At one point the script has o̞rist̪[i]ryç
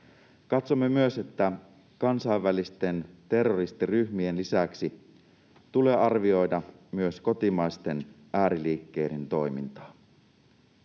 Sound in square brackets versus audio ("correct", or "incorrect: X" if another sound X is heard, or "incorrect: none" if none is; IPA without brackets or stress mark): correct